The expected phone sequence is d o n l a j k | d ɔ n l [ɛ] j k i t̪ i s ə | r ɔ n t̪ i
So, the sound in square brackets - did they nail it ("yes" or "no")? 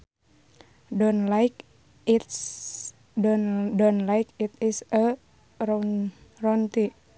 no